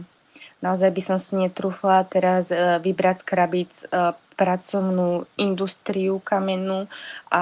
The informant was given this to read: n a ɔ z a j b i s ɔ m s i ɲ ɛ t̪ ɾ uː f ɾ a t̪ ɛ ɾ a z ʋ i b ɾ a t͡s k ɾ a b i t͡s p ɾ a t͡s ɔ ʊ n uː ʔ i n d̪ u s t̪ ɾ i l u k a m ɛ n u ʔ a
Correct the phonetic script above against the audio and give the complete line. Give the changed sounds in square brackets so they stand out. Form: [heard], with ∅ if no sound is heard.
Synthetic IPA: n a ɔ z a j b i s ɔ m s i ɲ ɛ t̪ ɾ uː f [l] a t̪ ɛ ɾ a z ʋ i b ɾ a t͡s k ɾ a b i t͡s p ɾ a t͡s ɔ ʊ n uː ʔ i n d̪ u s t̪ ɾ i [∅] u k a m ɛ n u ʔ a